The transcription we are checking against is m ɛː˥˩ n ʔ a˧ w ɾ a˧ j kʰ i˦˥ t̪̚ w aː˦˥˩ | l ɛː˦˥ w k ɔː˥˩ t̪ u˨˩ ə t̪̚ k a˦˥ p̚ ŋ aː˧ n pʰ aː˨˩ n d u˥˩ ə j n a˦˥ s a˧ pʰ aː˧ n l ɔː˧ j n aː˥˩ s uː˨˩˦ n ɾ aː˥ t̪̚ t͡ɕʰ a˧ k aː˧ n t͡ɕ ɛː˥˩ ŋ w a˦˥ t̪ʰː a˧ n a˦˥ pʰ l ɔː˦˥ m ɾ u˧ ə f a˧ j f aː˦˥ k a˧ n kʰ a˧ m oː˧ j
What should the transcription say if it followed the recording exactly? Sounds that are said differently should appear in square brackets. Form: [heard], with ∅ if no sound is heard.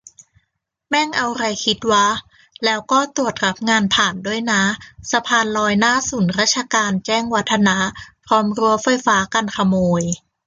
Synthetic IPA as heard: m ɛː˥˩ [ŋ] ʔ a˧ w ɾ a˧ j kʰ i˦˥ t̪̚ w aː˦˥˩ | l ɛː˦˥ w k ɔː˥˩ t̪ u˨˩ ə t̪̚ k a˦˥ p̚ ŋ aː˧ n pʰ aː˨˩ n d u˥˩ ə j n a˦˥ s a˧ pʰ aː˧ n l ɔː˧ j n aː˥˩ s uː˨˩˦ n ɾ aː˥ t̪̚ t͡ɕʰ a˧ k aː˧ n t͡ɕ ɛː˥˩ ŋ w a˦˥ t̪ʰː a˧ n a˦˥ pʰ [ɾ] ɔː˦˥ m ɾ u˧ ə f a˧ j f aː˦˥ k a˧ n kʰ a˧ m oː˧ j